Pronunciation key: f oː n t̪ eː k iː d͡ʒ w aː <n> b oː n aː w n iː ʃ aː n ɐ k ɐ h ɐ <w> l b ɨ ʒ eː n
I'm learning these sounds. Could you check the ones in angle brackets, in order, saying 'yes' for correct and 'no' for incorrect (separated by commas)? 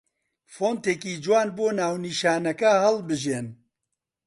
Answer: yes, no